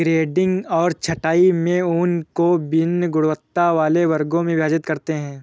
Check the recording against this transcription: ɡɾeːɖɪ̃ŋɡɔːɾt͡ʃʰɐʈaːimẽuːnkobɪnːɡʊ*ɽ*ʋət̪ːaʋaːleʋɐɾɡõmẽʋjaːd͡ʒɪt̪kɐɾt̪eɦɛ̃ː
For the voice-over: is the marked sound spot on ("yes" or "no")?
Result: yes